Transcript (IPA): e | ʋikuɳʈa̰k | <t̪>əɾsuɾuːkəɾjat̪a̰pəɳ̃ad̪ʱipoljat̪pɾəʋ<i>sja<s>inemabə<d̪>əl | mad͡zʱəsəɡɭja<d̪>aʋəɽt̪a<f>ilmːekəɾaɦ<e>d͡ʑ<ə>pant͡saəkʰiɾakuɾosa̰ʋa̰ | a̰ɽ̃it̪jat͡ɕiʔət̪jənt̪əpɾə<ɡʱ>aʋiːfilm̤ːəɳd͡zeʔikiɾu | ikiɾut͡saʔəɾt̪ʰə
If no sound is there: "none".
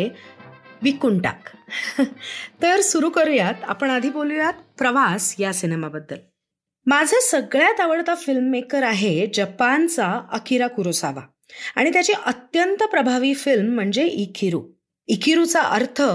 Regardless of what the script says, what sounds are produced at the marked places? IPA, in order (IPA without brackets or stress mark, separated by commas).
t̪, a, s, d̪ː, t̪, f, e, ə, bʱ